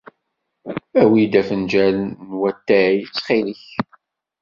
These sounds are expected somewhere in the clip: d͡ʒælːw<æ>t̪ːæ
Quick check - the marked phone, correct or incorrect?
correct